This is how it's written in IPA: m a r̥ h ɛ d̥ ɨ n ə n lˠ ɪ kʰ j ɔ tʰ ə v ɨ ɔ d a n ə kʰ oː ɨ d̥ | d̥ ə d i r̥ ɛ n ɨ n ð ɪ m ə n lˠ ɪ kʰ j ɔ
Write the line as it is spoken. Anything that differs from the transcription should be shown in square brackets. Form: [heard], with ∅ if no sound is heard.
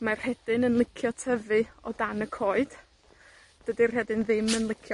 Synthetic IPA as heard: m a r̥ h ɛ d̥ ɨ n ə n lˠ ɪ kʰ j ɔ tʰ ə v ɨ ɔ d a n ə kʰ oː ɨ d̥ | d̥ ə d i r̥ ɛ [d] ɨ n ð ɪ m ə n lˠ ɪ kʰ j ɔ

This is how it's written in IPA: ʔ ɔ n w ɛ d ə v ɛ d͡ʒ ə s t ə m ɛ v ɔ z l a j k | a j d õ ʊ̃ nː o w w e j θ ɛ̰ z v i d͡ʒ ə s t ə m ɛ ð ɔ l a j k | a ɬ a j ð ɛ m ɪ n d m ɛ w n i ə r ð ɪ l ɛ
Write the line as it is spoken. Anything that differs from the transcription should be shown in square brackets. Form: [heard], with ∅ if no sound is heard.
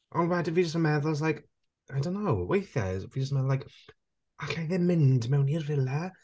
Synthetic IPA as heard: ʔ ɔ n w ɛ d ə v [i] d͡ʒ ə s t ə m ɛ [ð] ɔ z l a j k | a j d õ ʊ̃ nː o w w e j θ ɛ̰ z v i d͡ʒ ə s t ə m ɛ ð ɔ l a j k | a ɬ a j ð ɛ m ɪ n d m ɛ w n i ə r [v] ɪ l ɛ

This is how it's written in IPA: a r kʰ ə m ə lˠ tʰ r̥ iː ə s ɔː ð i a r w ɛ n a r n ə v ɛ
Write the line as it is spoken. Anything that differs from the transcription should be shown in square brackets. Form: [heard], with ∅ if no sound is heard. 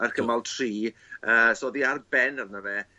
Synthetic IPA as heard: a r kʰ ə m [a] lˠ tʰ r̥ iː ə s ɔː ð i a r [b] ɛ n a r n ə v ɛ

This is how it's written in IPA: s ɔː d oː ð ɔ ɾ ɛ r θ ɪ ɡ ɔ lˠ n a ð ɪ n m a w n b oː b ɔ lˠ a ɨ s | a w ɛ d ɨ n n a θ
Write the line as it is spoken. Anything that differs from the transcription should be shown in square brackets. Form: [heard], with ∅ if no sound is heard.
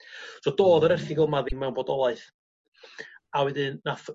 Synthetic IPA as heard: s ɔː d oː ð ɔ ɾ ɛ r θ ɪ ɡ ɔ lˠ [m] a ð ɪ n m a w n b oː [d] ɔ lˠ a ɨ [θ] | a w ɛ d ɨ n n a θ

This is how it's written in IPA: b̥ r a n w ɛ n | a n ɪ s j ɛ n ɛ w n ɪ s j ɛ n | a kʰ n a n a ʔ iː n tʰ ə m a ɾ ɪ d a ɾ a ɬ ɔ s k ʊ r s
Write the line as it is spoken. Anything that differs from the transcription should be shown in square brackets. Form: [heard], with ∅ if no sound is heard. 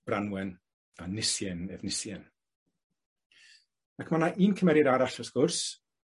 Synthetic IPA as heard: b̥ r a n w ɛ n | a n ɪ s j ɛ n ɛ [v] n ɪ s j ɛ n | a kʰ [m] a n a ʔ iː n [kʰ] ə m [ɛ] ɾ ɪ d a ɾ a ɬ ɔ s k ʊ r s

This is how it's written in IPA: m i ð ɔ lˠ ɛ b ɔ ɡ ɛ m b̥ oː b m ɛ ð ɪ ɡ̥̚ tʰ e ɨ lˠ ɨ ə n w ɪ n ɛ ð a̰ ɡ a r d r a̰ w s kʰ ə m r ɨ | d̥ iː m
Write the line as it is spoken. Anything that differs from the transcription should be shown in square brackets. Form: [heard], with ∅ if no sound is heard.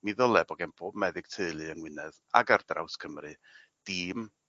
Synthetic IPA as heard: m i ð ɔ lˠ ɛ b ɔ ɡ ɛ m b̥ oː b m ɛ ð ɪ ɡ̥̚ tʰ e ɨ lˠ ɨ ə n w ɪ n ɛ ð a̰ ɡ a r d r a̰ w s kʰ ə m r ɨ | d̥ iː m

